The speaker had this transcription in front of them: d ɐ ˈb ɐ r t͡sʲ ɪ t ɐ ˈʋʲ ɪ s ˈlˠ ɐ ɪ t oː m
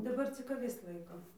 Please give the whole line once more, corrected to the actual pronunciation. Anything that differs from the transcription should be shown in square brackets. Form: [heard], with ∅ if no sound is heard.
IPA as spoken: d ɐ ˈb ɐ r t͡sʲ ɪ [k] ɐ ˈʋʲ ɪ s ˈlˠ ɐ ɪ [k] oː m